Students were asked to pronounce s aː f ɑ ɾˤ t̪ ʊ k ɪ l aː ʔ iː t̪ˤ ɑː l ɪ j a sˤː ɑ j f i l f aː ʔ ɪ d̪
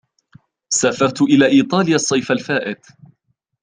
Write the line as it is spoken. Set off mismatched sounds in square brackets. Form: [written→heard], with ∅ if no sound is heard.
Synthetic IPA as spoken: s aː f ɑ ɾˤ t̪ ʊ [k→ʔ] ɪ l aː ʔ iː t̪ˤ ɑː l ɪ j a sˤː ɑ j f [i→a] l f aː ʔ ɪ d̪